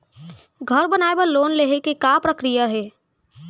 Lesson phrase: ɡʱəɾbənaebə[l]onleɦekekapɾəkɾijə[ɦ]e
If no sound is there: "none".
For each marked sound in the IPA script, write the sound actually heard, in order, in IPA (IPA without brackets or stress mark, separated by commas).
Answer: l, ɦ